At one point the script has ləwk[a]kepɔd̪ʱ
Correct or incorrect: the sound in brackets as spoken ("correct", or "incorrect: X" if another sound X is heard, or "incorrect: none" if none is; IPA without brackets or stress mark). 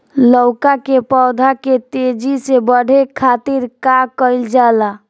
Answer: correct